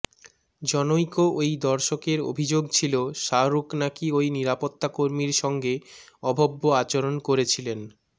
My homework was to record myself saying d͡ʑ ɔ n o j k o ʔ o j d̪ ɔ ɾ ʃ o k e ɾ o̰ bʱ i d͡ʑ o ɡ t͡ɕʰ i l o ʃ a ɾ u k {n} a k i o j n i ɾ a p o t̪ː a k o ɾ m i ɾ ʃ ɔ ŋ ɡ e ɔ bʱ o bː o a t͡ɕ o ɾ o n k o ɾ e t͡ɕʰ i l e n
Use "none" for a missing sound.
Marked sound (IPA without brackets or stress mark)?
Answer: n